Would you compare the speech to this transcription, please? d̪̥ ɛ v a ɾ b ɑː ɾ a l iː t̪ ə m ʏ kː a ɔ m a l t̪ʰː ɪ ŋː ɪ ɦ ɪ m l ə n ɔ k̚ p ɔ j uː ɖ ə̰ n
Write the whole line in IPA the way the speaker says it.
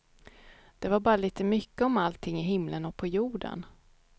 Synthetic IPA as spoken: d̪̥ ɛ v a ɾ b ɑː ɾ a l iː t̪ ə m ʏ kː ə ɔ m a l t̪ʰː ɪ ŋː ɪ ɦ ɪ m l ə n ɔ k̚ pʰ ɔ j uː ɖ ə̰ n